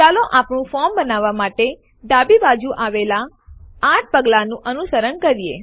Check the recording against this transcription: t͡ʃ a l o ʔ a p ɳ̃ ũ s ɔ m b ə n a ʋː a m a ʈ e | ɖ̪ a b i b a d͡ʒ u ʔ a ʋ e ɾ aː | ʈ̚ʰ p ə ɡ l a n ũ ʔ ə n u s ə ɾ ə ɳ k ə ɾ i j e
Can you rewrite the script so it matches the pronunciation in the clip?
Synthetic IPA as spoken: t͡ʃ a l o ʔ a p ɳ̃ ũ f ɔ m b ə n a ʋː a m a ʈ e | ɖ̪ a b i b a d͡ʒ u ʔ a ʋ e l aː | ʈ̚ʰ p ə ɡ l a n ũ ʔ ə n u s ə ɾ ə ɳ k ə ɾ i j e